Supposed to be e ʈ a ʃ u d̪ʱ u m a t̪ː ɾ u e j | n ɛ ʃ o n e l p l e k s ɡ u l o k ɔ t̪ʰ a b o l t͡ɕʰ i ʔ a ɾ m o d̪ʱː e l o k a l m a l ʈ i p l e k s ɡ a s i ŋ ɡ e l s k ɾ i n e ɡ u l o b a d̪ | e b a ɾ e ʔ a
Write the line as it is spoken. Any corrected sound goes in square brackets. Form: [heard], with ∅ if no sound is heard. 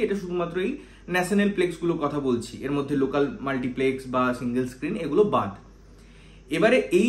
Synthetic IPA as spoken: e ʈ a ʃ u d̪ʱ u m a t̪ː ɾ [o] e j | n ɛ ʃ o n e l p l e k s ɡ u l o k ɔ t̪ʰ a b o l t͡ɕʰ i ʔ [e] ɾ m o d̪ʱː e l o k a l m a l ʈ i p l e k s [b] a s i ŋ ɡ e l s k ɾ i n e ɡ u l o b a d̪ | e b a ɾ e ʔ [e]

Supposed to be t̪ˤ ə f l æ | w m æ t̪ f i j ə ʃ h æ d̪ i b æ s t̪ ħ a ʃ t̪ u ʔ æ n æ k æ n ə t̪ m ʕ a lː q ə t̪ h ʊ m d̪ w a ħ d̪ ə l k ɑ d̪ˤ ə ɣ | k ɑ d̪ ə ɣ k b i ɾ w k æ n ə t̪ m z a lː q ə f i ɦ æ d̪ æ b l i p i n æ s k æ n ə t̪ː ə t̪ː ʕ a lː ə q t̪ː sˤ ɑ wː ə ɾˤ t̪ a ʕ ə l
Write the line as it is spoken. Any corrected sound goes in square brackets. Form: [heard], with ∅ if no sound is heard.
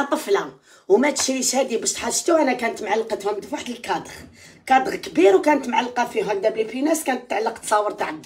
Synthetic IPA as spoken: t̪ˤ ə f l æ | w m æ t̪ [ʃ] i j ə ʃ h æ d̪ i b æ [ʃ] t̪ ħ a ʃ t̪ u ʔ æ n æ k æ n ə t̪ m ʕ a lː q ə t̪ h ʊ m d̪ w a ħ d̪ ə l k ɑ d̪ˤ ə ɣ | k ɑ d̪ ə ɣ k b i ɾ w k æ n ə t̪ m [ʕ] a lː q [ɑ] f i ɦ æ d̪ æ b l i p i n æ s k æ n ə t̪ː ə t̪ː ʕ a lː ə q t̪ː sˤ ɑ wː ə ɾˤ t̪ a ʕ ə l

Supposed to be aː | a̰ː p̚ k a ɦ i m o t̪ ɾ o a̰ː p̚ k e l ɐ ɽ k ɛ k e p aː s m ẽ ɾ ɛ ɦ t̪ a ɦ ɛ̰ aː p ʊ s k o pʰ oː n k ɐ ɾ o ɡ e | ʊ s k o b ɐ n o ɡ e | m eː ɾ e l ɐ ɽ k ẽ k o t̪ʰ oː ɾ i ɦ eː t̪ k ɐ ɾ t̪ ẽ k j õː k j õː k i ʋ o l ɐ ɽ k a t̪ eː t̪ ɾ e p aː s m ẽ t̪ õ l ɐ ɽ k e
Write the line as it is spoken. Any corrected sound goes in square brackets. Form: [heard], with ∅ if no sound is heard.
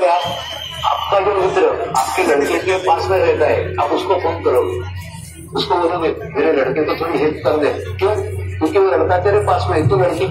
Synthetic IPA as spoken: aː | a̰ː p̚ k a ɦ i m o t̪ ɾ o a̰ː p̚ k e l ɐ ɽ k [e] k e p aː s m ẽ ɾ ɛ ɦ t̪ a ɦ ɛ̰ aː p ʊ s k o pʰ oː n k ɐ ɾ o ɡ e | ʊ s k o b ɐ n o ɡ e | m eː ɾ e l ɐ ɽ k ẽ k o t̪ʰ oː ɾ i ɦ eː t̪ k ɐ ɾ [d̪] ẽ k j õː k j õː k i ʋ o l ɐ ɽ k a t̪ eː [∅] ɾ e p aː s m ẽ t̪ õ l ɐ ɽ k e

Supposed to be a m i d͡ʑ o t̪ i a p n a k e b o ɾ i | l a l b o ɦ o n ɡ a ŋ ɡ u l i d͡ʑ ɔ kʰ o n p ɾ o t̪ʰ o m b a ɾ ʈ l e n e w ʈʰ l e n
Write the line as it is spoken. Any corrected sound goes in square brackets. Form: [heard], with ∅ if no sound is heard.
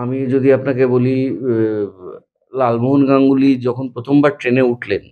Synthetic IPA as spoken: a m i d͡ʑ o [d̪] i a p n a k e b o [l] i | l a l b o ɦ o n ɡ a ŋ ɡ u l i d͡ʑ ɔ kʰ o n p ɾ o t̪ʰ o m b a ɾ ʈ [ɾ] e n e [u] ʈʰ l e n

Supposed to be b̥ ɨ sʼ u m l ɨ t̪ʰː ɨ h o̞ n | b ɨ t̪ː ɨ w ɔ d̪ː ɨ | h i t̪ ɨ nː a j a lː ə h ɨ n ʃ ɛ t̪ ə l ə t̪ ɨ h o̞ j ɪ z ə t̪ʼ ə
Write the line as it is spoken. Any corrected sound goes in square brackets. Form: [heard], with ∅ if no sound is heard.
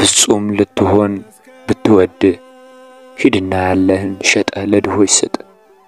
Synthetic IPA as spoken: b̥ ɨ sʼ u m l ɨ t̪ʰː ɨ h o̞ n | b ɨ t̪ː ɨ w ɔ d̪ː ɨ | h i [d̪] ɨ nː a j a lː ə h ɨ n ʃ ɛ [t̪ʼ] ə l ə [d̪] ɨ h o̞ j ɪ [s] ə t̪ʼ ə

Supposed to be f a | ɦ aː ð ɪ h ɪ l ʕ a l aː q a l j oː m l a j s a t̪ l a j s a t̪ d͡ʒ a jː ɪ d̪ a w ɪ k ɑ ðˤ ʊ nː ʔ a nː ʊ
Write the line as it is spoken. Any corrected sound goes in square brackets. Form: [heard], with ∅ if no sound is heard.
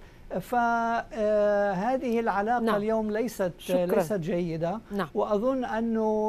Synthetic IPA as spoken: f a | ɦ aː ð ɪ h ɪ l ʕ a l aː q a l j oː m l a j s a t̪ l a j s a t̪ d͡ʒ a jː ɪ d̪ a w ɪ [ʔ] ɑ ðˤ ʊ nː ʔ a nː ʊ

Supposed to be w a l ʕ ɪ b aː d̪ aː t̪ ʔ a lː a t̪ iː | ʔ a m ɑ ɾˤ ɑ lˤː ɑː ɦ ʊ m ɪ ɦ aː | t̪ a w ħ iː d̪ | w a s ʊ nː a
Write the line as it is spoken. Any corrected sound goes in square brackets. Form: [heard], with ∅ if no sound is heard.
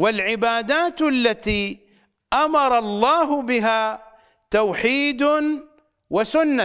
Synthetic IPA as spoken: w a l ʕ ɪ b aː d̪ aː t̪ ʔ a lː a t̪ iː | ʔ a m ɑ ɾˤ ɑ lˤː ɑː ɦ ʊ [b] ɪ ɦ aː | t̪ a w ħ iː d̪ | w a s ʊ nː a

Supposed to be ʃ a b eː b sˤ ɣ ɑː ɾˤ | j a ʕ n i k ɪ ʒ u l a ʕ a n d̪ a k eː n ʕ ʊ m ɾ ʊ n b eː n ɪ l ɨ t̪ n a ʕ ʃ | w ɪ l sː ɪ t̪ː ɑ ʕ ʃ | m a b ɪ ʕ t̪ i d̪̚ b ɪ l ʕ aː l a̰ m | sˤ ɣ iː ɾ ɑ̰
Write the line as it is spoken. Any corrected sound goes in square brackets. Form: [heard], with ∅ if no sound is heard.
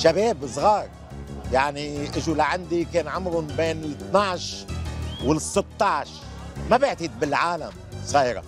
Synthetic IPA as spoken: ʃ a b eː b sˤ ɣ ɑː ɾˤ | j a ʕ n i [ʔ] ɪ ʒ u l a ʕ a n d̪ [i] k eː n ʕ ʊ m ɾ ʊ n b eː n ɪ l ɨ t̪ n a ʕ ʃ | w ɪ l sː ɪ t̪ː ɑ ʕ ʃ | m a b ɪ ʕ t̪ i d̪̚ b ɪ l ʕ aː l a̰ m | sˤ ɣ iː ɾ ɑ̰

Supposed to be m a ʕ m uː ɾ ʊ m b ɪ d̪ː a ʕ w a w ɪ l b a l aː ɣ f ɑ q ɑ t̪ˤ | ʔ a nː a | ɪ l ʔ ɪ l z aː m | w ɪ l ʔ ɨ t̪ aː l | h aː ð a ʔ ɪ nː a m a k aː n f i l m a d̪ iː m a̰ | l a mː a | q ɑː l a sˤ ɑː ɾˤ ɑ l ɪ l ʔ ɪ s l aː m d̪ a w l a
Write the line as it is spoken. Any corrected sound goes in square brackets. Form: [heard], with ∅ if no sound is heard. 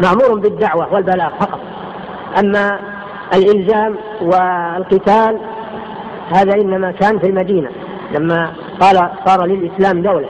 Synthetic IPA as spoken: m a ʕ m uː ɾ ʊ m b ɪ d̪ː a ʕ w a w ɪ l b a l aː ɣ f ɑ q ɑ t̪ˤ | ʔ a [mː] a | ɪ l ʔ ɪ l z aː m | w ɪ l [q] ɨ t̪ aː l | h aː ð a ʔ ɪ nː a m a k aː n f i l m a d̪ iː [n] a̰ | l a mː a | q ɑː l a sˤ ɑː ɾˤ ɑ l ɪ l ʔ ɪ s l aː m d̪ a w l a

